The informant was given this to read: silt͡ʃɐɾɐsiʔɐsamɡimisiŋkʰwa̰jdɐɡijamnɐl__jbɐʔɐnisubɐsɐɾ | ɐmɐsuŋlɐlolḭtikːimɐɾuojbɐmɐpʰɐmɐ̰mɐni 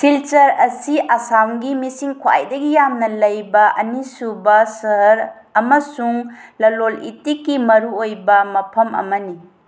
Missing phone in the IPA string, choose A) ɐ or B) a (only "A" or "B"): A